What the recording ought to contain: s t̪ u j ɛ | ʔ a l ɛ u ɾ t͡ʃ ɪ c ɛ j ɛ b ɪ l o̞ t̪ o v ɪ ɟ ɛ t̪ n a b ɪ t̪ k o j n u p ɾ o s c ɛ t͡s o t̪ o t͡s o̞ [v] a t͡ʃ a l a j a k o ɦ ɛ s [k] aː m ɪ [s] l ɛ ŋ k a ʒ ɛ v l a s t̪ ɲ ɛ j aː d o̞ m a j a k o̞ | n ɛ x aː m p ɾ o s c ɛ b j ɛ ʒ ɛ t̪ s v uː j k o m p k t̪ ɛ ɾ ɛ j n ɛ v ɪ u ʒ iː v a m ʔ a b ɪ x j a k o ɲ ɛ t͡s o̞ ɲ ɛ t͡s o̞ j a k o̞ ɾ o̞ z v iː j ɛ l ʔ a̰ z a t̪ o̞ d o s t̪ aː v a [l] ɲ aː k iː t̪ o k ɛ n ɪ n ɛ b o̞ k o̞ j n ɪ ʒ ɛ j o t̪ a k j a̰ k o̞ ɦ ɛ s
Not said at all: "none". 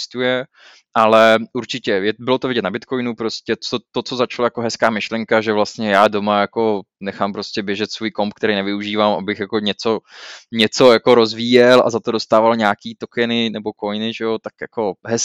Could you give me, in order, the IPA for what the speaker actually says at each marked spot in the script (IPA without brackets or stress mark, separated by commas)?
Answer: z, k, ʃ, l